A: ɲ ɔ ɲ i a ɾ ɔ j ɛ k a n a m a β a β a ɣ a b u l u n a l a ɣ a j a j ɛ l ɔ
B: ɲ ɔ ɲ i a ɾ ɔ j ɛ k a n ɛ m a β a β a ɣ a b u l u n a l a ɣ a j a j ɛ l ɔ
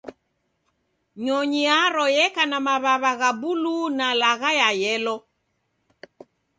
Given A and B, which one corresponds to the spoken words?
A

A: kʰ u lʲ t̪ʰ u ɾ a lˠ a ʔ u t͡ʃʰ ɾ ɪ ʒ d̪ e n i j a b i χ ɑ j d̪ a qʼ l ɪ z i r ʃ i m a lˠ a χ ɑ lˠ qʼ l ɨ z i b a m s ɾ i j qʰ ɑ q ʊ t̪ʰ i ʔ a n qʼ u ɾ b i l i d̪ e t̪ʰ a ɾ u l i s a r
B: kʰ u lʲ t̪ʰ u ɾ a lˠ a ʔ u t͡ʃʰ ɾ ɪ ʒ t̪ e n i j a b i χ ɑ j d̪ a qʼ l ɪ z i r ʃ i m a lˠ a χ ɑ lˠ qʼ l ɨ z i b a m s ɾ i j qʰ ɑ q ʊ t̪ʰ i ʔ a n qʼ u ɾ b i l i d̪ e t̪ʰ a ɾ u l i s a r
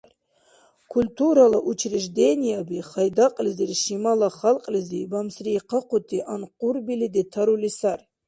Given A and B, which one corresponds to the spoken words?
A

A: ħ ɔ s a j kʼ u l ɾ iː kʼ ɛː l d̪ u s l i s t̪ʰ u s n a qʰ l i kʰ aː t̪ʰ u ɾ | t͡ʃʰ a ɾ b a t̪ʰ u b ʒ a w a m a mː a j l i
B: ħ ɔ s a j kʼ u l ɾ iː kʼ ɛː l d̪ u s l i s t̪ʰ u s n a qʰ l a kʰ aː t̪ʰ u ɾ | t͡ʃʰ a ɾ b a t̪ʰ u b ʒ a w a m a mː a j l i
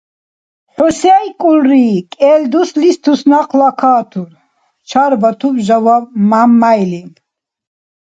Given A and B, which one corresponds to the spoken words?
B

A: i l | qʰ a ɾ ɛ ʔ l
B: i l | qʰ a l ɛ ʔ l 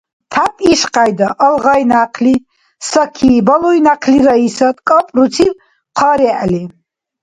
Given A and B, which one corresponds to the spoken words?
A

